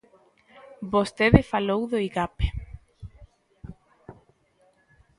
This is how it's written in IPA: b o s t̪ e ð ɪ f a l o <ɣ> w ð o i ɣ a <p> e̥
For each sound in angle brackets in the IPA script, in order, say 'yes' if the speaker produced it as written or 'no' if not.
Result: no, yes

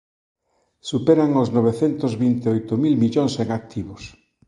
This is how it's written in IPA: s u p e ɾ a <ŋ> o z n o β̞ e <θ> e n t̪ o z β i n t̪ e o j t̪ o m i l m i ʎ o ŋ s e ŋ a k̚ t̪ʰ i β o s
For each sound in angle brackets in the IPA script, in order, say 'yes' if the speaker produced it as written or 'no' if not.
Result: yes, yes

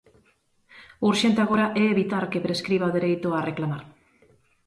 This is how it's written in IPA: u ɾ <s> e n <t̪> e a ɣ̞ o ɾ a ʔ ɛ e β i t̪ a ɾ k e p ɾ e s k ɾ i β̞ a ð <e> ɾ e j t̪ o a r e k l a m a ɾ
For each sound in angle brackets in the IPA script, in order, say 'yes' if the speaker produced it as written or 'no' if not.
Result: no, yes, yes

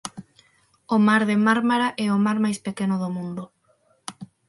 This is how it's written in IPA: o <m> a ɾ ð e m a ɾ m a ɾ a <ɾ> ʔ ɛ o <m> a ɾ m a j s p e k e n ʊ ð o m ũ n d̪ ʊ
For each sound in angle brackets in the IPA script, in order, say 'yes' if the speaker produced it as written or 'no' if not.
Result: yes, no, yes

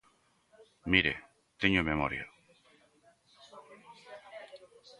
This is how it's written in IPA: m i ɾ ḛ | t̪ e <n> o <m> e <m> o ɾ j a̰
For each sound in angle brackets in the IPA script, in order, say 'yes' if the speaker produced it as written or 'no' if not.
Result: no, yes, yes

